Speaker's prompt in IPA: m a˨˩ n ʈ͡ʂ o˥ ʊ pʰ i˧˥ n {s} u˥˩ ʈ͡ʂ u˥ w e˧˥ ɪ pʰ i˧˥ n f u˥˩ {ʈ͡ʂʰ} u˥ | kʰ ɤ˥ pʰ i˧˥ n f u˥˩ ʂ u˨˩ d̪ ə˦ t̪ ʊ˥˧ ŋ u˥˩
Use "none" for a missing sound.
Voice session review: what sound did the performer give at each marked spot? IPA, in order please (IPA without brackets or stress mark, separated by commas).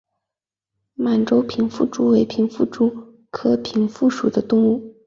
f, ʈ͡ʂ